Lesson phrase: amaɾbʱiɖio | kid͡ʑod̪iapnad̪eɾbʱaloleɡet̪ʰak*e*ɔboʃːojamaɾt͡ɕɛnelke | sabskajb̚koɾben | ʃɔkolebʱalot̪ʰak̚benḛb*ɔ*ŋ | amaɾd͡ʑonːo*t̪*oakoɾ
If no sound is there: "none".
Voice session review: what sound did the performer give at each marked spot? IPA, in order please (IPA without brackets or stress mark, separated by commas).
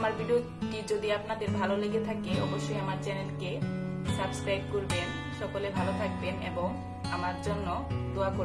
e, o, d̪